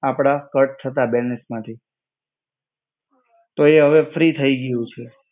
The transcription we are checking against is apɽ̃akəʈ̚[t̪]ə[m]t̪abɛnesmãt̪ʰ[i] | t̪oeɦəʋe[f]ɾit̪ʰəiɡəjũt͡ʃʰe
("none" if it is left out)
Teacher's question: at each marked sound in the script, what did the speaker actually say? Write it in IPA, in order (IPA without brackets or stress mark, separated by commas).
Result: t̪ʰ, none, i, f